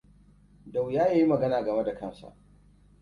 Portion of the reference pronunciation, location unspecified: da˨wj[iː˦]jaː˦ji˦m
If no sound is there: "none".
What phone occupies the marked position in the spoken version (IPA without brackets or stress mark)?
aː˦